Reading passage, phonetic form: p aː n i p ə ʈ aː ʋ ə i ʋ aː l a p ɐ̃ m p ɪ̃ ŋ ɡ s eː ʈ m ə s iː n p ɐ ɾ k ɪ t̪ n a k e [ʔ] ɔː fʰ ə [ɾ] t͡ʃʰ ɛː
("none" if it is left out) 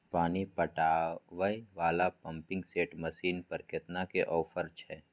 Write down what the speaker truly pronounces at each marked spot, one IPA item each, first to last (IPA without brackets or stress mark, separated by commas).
ʔ, ɾ